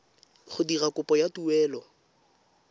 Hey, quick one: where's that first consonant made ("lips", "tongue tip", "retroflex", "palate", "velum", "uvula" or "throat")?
uvula